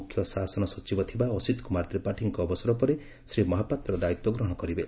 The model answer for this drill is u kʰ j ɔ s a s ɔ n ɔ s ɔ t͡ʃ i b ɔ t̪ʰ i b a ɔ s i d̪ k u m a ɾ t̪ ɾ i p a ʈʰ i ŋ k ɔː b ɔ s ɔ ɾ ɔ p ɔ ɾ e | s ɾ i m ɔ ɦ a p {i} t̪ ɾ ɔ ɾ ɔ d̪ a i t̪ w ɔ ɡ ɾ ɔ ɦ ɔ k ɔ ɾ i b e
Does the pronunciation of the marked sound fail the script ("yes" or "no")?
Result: yes